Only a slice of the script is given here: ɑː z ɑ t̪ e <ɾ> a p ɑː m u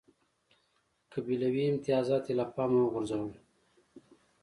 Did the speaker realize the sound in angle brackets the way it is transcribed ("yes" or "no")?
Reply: no